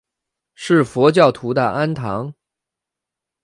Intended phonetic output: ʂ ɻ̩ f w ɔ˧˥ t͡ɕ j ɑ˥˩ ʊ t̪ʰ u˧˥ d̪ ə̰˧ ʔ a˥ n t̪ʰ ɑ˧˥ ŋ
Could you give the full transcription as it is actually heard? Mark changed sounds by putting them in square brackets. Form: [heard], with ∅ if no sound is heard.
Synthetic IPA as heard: ʂ ɻ̩ f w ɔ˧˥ t͡ɕ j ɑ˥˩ ʊ t̪ʰ u˧˥ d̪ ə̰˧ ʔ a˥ n t̪ʰ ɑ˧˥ ŋ